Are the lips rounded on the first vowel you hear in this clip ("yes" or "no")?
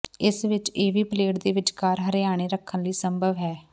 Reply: no